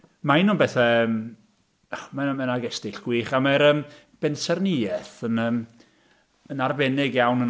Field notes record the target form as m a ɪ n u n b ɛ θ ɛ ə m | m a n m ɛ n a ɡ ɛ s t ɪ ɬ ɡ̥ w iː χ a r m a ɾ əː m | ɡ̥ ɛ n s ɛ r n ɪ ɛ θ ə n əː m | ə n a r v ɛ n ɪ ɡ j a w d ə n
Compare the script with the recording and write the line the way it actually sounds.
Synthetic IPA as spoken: m a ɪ n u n b ɛ θ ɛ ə m | m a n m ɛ n a ɡ ɛ s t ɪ ɬ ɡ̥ w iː χ a m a ɾ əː m | b̥ ɛ n s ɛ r n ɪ ɛ θ ə n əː m | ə n a r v ɛ n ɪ ɡ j a w n ə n